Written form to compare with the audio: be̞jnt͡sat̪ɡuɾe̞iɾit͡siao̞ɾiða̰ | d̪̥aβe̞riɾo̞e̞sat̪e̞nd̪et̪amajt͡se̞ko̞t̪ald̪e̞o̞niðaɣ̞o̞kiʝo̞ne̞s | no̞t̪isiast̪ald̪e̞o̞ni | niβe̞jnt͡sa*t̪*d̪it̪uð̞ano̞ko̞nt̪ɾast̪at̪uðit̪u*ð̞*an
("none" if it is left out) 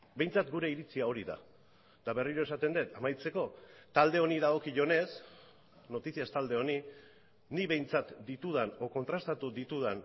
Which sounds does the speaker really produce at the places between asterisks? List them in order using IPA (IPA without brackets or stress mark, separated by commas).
t̪, ð̞